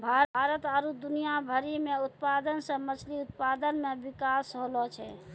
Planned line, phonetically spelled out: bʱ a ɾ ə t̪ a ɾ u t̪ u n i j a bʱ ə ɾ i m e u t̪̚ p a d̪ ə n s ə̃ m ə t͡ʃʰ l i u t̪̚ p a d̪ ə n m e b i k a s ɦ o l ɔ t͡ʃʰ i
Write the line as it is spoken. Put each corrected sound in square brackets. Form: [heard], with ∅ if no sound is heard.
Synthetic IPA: bʱ a ɾ ə t̪ a ɾ u [d̪] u n i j a bʱ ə ɾ i m e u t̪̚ p a d̪ ə n s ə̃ m ə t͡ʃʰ l i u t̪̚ p a d̪ ə n m e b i k a s ɦ o l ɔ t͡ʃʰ [ɛ]